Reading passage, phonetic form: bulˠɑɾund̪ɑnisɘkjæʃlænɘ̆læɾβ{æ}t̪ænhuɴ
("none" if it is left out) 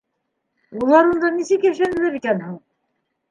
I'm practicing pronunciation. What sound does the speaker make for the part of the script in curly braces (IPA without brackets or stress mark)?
i